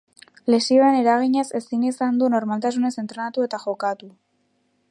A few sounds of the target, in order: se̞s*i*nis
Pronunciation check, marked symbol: correct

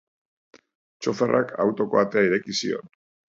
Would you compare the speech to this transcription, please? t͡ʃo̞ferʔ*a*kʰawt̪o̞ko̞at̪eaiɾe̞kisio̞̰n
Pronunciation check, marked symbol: correct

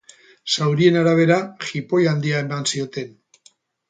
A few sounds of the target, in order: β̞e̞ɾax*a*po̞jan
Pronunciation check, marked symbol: incorrect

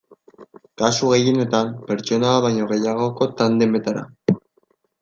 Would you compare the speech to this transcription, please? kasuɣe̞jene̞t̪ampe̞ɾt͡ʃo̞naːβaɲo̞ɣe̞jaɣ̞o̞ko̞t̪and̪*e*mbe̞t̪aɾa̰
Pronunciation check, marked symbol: correct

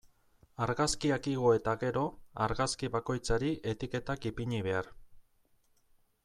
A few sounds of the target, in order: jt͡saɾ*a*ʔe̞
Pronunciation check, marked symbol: incorrect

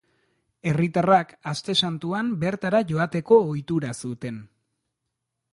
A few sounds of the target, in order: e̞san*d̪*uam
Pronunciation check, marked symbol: incorrect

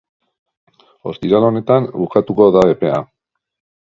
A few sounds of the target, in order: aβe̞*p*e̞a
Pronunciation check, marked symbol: correct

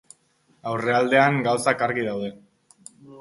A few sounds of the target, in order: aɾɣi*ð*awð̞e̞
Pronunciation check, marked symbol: correct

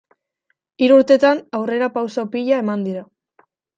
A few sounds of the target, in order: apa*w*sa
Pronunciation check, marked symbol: correct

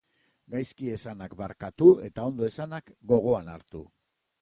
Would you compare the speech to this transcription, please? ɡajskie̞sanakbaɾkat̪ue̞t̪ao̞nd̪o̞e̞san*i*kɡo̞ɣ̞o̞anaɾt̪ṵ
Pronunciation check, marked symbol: incorrect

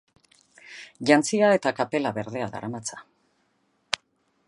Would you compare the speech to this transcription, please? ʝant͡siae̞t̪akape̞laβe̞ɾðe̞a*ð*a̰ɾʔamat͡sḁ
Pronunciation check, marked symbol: correct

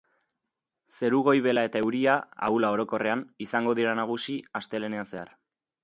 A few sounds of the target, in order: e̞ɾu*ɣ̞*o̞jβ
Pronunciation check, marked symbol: correct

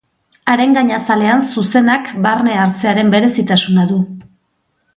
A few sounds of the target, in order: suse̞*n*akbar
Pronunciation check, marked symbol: correct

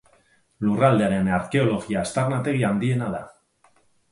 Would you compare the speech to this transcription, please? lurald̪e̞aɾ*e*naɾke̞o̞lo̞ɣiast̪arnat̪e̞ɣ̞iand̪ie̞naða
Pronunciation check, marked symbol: correct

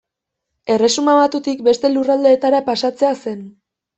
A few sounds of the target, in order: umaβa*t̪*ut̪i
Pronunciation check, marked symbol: correct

